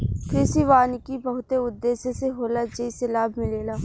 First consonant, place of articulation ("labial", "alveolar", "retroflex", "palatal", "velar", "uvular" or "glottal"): velar